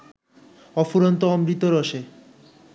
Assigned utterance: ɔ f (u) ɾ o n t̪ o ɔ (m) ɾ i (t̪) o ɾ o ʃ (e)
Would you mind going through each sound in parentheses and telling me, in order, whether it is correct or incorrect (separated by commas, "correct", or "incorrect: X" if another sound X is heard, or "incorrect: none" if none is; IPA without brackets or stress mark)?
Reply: correct, correct, correct, correct